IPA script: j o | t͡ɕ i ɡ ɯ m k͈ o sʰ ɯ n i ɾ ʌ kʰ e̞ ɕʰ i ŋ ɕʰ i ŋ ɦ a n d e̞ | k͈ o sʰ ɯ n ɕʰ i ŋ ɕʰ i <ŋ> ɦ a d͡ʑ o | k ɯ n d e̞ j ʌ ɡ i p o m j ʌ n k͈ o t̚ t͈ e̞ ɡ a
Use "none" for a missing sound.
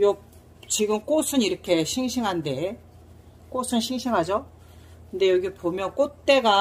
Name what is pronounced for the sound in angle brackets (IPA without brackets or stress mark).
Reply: ŋ